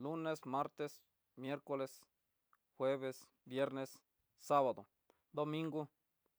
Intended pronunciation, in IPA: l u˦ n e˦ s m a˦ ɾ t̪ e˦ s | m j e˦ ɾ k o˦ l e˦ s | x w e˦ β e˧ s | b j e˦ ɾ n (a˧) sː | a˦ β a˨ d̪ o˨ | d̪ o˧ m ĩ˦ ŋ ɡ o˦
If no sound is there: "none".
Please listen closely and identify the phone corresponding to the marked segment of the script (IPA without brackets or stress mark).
e˧